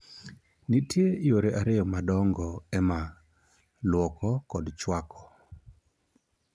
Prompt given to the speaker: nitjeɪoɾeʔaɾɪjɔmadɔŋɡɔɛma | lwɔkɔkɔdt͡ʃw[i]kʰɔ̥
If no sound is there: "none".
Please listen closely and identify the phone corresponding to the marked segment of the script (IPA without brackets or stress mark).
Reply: a